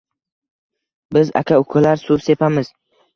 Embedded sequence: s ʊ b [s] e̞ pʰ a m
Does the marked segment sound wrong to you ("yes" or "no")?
no